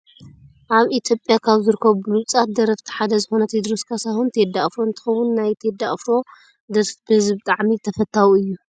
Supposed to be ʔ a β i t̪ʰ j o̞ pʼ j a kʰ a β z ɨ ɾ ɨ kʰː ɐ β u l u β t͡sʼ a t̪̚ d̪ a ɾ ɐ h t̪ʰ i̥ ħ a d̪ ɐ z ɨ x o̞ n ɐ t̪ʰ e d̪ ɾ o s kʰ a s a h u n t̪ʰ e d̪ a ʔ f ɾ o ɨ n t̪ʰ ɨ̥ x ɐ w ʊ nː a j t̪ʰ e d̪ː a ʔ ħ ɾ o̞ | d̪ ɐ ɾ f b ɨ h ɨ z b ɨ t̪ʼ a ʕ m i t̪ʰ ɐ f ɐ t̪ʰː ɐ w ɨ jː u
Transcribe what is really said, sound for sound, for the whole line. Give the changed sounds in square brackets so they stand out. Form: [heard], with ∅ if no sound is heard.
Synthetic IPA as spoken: ʔ a β i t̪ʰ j o̞ pʼ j a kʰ a β z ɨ ɾ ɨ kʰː ɐ β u l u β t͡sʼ a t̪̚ d̪ [ɐ] ɾ ɐ [f] t̪ʰ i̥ ħ a d̪ ɐ z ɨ x o̞ n ɐ t̪ʰ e d̪ ɾ o s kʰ a s a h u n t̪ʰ e d̪ a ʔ f ɾ o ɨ n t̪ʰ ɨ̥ x ɐ w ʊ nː a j t̪ʰ e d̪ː a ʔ [f] ɾ o̞ | d̪ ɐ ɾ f b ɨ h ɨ z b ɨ t̪ʼ a ʕ m i t̪ʰ ɐ f ɐ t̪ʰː [a] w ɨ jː u